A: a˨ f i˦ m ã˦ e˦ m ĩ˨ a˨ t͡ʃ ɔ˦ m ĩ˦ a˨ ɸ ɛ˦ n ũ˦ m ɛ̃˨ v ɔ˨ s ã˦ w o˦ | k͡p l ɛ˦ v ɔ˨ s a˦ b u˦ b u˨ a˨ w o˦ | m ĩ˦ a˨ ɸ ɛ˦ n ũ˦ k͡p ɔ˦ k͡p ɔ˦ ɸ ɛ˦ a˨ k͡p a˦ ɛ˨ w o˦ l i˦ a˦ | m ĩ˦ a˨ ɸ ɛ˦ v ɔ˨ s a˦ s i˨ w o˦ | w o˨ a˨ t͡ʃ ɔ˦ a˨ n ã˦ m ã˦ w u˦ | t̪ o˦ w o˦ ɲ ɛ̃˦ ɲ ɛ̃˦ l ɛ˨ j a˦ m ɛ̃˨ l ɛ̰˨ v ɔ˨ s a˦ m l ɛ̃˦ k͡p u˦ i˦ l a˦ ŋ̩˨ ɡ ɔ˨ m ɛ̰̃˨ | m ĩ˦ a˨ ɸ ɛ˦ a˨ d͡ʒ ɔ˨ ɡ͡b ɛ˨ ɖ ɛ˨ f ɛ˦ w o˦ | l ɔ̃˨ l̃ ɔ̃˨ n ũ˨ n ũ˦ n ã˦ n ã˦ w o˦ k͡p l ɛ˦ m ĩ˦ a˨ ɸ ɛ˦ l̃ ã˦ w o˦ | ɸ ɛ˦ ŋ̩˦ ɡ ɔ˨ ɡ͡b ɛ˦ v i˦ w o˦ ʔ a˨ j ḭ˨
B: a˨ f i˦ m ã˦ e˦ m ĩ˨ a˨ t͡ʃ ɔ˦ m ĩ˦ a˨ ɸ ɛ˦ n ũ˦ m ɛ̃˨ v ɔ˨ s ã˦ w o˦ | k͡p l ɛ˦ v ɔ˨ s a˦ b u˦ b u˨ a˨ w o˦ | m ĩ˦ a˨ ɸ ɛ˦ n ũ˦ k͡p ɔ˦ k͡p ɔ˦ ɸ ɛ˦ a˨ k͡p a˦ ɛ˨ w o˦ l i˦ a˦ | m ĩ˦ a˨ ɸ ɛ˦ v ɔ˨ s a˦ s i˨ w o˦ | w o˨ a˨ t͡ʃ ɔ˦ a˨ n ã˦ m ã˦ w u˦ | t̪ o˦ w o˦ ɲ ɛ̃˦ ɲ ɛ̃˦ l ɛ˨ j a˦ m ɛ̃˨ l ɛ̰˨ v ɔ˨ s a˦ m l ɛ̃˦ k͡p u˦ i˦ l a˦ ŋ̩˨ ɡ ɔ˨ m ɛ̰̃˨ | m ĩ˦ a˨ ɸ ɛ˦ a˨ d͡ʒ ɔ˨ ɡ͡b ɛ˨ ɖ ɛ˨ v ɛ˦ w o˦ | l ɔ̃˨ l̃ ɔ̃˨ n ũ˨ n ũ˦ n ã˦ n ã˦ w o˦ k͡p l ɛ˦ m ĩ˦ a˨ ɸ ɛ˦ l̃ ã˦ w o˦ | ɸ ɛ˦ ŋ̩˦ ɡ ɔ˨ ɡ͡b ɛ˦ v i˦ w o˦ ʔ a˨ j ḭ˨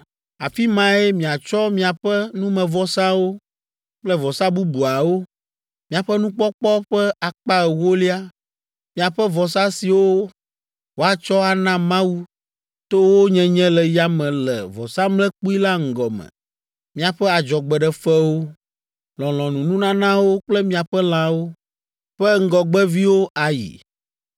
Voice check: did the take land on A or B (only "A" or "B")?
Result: A